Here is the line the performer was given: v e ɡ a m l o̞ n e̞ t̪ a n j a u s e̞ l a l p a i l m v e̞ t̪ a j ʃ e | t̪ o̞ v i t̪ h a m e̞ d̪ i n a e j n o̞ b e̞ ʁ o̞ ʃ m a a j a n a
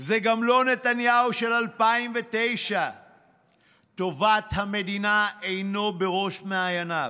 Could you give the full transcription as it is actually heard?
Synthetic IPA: z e ɡ a m l o̞ n e̞ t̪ a n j a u ʃ e̞ l a l p a i m v e̞ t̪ e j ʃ a | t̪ o̞ v a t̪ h a m e̞ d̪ i n a e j n o̞ b e̞ ʁ o̞ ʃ m e a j a n a